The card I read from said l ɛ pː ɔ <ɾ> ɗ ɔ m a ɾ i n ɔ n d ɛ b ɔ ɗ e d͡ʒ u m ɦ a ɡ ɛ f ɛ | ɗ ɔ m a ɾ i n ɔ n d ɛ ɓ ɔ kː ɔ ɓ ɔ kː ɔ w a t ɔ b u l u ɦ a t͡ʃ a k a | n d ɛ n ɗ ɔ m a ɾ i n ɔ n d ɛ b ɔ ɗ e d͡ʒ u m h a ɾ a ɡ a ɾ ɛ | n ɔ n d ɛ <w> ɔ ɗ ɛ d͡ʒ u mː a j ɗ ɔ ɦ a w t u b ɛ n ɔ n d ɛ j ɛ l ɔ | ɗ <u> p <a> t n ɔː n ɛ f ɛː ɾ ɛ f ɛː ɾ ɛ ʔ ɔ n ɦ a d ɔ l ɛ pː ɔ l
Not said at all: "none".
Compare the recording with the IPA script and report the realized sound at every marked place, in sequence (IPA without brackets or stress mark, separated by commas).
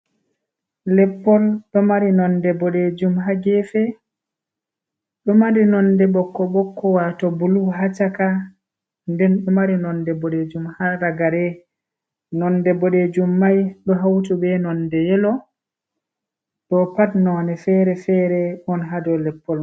l, b, ɔ, a